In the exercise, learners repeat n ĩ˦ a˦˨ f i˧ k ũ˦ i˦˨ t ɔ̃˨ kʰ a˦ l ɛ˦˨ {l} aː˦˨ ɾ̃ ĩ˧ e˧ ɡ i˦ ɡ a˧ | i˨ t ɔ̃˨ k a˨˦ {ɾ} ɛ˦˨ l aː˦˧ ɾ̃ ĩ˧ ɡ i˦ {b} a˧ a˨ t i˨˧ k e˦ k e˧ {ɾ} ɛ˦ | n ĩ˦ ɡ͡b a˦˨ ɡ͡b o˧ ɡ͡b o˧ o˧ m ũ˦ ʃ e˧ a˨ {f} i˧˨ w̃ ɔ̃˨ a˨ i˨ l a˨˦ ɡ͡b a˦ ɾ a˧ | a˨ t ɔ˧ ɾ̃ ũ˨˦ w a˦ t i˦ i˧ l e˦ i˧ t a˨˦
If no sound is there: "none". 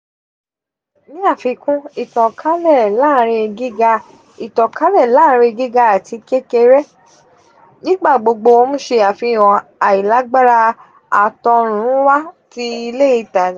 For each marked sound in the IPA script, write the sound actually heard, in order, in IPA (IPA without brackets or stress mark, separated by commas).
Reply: l, l, ɡ, ɾ, f